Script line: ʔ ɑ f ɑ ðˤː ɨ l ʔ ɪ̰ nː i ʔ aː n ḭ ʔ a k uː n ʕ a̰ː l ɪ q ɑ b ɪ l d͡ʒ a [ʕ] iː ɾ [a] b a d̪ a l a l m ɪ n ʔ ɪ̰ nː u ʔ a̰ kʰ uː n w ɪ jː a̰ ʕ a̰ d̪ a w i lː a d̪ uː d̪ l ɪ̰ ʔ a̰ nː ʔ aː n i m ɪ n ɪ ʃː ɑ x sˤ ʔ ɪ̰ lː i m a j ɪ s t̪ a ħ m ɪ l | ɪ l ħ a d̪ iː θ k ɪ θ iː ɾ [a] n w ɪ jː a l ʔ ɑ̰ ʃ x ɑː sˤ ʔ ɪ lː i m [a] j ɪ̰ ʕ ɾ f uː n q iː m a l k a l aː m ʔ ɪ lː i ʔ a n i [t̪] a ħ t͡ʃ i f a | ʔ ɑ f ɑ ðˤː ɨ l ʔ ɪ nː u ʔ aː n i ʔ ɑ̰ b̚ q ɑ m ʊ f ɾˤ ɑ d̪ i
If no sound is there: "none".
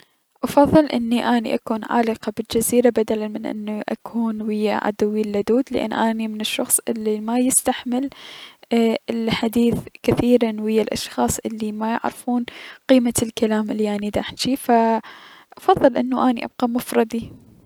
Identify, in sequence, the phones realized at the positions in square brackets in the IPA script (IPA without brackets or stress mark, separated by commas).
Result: z, a, a, a, d̪